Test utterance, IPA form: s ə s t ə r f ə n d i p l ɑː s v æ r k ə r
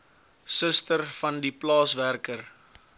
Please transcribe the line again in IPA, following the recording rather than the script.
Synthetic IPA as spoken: s ə s t ə r f ɐ n d i p l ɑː s v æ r k ə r